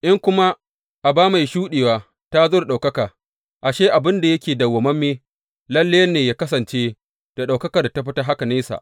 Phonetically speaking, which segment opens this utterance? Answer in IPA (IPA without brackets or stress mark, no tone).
ʔ